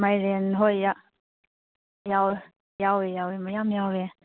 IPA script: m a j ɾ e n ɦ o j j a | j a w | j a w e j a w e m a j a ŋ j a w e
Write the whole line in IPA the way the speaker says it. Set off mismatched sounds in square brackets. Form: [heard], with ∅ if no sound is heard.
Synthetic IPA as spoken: m a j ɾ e n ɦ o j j a | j a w | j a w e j a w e m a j a [m] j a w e